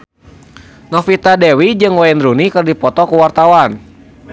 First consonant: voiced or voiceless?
voiced